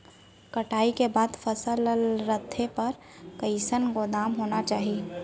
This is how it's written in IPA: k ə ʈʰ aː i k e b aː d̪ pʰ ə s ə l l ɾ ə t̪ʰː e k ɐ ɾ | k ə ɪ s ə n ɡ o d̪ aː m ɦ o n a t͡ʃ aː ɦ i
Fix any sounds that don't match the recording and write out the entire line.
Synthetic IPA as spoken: k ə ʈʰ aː i k e b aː d̪ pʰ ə s ə l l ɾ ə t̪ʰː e p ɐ ɾ | k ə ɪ s ə n ɡ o d̪ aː m ɦ o n a t͡ʃ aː ɦ i